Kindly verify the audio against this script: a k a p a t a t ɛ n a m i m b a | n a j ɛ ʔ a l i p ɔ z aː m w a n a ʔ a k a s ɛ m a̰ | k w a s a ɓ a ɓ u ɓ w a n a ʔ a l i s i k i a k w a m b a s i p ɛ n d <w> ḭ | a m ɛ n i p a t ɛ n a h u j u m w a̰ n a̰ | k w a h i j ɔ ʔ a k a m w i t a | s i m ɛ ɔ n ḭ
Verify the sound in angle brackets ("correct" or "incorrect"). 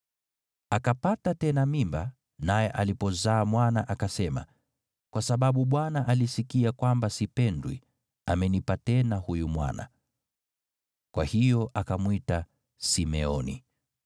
correct